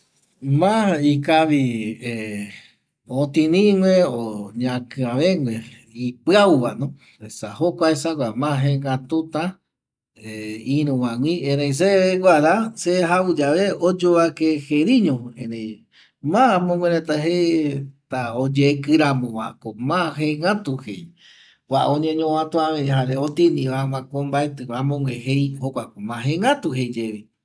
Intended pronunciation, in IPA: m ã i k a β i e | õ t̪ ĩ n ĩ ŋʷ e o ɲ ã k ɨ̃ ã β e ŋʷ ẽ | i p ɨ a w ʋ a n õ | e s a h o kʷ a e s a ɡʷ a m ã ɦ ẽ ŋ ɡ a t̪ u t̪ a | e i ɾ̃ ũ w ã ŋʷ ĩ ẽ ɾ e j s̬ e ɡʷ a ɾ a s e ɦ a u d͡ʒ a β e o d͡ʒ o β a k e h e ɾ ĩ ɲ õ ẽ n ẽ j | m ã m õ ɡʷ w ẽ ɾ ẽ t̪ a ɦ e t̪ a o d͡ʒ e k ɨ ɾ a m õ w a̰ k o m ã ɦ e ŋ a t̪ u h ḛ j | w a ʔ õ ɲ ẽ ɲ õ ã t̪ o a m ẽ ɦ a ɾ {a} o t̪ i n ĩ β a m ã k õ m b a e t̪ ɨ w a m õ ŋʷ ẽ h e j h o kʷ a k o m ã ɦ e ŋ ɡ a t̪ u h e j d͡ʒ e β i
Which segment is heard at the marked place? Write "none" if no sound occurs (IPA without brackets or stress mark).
e